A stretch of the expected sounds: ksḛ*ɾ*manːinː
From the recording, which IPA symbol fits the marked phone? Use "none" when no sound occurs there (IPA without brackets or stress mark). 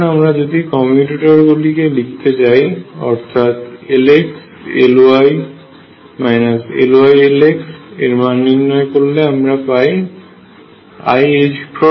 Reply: ɾ